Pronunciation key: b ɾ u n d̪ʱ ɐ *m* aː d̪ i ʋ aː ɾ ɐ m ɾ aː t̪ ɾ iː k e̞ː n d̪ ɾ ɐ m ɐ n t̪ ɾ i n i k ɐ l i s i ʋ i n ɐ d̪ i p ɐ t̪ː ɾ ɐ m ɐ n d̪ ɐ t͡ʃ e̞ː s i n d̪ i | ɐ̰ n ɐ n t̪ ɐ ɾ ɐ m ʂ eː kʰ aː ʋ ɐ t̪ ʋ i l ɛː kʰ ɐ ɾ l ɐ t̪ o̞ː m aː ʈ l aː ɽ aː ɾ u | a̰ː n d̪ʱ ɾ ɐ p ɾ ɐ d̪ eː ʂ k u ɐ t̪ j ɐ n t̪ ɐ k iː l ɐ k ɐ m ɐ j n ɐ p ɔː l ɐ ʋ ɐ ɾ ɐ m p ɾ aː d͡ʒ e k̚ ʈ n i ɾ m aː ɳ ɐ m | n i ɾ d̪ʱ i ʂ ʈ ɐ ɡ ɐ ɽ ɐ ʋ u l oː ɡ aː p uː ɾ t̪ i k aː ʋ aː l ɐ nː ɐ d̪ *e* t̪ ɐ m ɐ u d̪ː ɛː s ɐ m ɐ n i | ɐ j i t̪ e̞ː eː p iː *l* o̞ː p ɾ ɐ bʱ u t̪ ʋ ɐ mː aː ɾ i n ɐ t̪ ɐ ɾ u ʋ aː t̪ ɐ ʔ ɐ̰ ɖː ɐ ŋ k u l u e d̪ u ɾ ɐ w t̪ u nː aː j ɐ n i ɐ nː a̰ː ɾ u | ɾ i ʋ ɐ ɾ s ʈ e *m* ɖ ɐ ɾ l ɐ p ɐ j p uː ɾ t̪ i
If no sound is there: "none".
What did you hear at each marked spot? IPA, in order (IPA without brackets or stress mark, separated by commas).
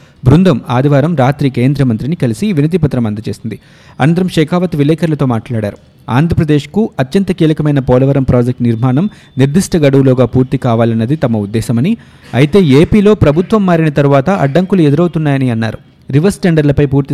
m, i, l, ɳ